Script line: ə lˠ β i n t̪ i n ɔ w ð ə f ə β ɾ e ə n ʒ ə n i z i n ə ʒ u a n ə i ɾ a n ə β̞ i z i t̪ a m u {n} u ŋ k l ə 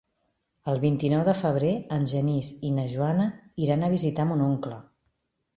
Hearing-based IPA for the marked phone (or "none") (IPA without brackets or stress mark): n